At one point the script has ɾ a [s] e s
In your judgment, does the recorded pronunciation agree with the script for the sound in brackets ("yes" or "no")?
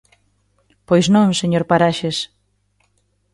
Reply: no